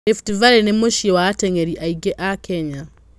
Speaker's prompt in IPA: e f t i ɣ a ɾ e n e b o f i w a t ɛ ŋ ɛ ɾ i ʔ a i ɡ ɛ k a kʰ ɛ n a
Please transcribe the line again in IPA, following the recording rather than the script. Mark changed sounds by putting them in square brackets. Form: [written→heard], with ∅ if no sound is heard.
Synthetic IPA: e f t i [ɣ→v] a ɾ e n e [b→m] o [f→ʃ] i w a t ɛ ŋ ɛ ɾ i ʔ a i ɡ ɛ [k→ʔ] a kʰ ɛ [n→ɲ] a